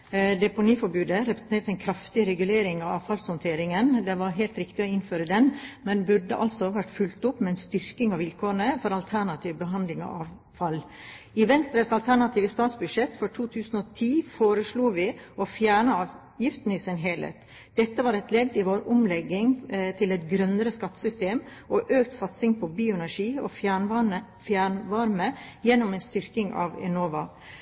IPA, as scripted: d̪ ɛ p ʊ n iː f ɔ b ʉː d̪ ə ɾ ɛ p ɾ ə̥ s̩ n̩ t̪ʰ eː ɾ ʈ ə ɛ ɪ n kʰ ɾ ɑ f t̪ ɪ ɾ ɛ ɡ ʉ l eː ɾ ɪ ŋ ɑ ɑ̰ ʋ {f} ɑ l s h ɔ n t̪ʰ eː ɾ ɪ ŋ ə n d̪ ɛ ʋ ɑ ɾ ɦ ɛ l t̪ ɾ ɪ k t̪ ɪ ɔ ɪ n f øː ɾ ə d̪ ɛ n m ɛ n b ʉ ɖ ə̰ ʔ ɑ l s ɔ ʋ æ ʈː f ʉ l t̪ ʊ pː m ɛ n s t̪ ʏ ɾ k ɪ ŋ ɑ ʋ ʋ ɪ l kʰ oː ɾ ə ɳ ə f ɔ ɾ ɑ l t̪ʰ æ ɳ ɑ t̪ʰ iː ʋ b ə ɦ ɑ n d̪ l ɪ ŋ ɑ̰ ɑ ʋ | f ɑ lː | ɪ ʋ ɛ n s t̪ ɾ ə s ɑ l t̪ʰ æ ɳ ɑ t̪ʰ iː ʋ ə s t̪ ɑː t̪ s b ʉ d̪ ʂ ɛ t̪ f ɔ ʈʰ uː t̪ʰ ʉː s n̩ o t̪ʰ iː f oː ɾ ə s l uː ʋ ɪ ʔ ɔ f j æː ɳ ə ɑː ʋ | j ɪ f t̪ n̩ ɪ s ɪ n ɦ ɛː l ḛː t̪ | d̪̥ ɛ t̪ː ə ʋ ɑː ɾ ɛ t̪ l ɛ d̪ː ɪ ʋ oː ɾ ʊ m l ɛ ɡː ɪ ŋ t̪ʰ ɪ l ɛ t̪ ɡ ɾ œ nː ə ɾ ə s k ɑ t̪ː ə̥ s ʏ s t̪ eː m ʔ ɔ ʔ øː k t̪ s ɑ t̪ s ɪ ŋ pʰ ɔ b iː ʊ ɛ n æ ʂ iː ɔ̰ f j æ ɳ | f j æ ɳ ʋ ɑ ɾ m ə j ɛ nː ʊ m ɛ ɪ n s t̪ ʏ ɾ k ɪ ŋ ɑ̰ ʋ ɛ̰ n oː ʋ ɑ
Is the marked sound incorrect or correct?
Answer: correct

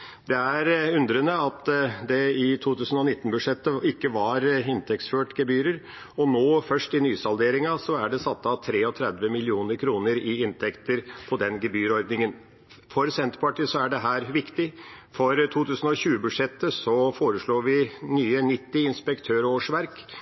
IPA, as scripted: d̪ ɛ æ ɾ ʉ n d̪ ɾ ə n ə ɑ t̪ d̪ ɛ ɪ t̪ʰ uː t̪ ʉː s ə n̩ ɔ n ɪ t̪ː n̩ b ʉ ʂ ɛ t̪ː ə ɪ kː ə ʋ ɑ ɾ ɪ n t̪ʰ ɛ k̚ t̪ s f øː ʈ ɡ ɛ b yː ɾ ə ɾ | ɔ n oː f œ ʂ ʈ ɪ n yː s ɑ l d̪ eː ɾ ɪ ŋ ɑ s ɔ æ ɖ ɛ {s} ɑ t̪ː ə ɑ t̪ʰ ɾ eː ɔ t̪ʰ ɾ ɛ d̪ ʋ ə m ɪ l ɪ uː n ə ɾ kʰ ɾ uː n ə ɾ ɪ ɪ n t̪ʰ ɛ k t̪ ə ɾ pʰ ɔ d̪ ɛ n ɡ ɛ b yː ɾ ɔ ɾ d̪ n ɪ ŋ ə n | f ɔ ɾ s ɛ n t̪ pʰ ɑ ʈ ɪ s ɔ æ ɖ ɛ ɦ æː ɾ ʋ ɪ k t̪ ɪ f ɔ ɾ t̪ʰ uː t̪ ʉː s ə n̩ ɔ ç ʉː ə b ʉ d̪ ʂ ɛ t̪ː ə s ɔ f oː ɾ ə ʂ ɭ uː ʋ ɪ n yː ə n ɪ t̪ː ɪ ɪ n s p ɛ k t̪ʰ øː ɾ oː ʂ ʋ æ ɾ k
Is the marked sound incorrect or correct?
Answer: correct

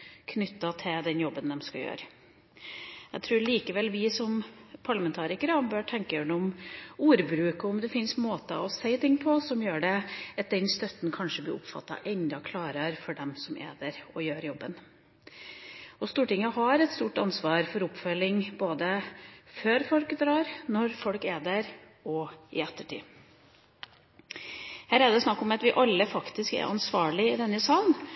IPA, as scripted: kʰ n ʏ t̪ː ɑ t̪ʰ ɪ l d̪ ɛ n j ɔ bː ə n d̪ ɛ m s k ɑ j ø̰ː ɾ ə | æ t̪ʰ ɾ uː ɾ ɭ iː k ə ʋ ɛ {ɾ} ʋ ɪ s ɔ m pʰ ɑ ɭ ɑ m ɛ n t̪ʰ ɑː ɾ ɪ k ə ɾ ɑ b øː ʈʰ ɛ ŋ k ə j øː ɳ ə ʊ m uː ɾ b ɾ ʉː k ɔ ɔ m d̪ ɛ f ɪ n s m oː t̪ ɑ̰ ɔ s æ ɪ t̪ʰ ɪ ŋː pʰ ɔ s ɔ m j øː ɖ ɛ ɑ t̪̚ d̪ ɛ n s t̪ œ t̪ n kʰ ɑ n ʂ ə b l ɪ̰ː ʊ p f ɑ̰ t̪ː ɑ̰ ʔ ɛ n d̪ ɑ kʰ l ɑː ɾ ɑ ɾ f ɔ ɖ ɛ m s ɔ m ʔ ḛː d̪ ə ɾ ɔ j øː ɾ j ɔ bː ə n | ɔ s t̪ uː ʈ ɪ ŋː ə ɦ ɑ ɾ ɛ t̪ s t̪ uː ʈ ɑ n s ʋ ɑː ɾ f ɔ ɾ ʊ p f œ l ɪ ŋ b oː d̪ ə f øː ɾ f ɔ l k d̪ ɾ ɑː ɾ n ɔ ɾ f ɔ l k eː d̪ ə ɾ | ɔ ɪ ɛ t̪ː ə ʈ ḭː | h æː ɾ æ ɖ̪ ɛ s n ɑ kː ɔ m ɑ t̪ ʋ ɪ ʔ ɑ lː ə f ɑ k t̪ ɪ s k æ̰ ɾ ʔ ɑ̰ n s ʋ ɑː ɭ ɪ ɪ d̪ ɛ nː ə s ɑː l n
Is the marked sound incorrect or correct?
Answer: incorrect: l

